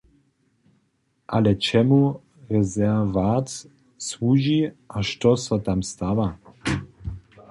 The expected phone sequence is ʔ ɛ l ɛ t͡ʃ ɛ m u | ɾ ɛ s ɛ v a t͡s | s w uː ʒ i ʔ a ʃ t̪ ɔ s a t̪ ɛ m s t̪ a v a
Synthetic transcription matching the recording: ʔ a l ɛ t͡ʃ ɛ m u | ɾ ɛ z ɛ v a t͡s | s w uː ʒ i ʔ a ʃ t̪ ɔ s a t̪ a m s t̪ a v a